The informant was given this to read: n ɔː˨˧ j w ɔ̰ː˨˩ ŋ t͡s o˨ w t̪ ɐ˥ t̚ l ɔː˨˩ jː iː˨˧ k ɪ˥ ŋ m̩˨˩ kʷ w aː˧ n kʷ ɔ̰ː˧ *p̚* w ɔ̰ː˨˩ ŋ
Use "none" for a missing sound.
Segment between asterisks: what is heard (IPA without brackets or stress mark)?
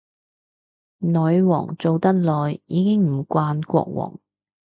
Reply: k̚